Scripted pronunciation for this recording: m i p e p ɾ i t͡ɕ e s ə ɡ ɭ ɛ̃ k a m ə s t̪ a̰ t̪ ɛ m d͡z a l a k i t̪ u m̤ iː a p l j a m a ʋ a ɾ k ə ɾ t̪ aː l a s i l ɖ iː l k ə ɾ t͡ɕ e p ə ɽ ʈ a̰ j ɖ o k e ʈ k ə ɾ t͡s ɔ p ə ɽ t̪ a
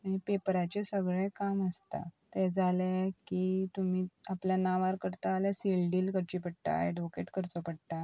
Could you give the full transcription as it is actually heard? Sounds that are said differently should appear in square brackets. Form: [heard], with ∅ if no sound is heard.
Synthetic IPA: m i p e p ɾ [a] t͡ɕ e s ə ɡ ɭ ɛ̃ k a m ə s t̪ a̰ t̪ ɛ [∅] d͡z a l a k i t̪ u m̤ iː a p l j a [n] a ʋ a ɾ k ə ɾ t̪ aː l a s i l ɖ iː l k ə ɾ t͡ɕ [i] p ə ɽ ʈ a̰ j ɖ o k e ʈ k ə ɾ t͡s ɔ p ə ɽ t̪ a